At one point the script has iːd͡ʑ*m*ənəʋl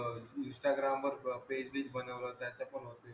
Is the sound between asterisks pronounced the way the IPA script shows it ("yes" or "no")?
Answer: no